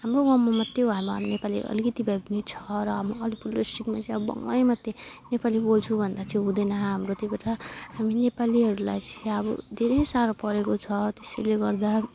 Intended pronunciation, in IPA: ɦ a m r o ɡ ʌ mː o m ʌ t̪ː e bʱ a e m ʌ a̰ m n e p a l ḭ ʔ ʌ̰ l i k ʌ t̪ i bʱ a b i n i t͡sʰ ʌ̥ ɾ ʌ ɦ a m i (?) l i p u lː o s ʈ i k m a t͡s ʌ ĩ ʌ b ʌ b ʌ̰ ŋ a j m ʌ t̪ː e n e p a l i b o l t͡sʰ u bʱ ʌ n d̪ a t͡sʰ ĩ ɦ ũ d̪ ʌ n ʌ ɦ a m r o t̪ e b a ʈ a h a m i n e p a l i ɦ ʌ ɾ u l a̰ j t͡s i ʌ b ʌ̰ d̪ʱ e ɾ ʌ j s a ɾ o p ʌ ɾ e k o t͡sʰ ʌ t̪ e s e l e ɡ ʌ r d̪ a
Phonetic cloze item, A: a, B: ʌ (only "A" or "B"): B